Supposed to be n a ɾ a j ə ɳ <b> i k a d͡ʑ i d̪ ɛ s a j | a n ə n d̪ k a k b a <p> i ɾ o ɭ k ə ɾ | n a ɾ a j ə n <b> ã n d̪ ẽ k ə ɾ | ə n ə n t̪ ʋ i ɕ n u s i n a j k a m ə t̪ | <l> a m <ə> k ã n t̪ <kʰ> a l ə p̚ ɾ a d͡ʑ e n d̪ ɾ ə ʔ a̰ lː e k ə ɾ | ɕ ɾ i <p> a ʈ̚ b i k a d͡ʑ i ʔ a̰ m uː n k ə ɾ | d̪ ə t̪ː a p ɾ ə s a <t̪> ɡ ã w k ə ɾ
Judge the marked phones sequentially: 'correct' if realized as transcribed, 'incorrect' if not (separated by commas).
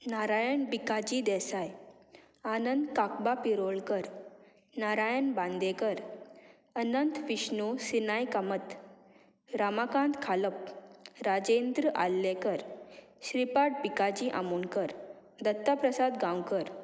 correct, correct, correct, incorrect, incorrect, correct, correct, incorrect